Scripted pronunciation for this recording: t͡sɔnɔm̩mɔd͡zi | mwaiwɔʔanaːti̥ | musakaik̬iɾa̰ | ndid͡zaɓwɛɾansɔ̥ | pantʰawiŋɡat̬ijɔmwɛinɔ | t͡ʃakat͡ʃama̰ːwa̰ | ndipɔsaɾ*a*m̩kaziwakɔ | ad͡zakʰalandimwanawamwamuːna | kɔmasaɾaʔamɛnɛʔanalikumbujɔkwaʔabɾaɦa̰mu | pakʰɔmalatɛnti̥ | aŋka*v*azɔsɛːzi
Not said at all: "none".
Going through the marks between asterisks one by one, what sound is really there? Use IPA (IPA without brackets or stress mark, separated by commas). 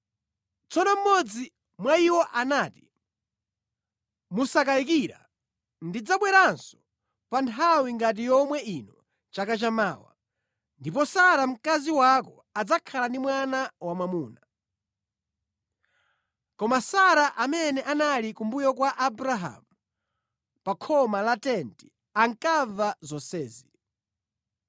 a, v